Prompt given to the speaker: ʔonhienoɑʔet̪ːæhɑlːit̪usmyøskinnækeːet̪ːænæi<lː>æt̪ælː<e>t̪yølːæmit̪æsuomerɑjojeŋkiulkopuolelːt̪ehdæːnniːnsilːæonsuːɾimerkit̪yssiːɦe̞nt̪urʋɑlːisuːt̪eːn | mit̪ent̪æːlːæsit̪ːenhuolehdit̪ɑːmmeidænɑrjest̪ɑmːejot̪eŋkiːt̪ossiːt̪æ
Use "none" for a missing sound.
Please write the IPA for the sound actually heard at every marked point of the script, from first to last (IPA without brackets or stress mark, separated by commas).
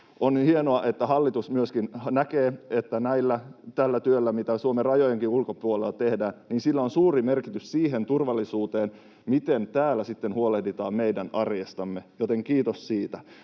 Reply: lː, æ